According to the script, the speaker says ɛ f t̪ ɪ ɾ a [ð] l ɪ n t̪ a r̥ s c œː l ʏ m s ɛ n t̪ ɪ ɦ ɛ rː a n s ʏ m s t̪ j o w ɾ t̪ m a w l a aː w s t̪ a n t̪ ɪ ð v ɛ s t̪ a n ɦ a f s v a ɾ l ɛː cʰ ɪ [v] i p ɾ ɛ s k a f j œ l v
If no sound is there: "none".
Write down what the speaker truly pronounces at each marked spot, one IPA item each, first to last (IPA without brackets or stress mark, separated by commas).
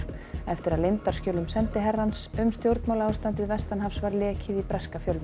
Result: ð, ð